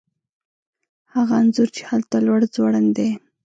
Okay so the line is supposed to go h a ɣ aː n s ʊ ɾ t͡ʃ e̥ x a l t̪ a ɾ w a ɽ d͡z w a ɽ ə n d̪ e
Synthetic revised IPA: h a ɣ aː n z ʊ ɾ t͡ʃ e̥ h a l t̪ a l w a ɽ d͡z w a ɽ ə n d̪ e